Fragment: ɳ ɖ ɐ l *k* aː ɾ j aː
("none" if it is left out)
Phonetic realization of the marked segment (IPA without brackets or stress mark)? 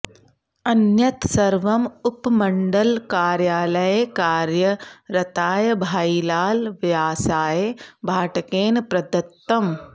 k